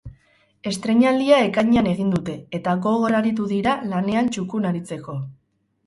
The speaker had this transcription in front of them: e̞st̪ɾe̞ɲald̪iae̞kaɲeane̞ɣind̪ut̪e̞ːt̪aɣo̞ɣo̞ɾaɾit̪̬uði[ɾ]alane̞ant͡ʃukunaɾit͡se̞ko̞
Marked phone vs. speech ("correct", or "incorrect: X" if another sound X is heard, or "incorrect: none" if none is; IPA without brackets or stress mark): correct